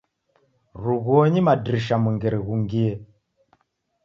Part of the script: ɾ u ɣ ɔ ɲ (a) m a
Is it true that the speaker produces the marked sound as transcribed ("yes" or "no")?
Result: no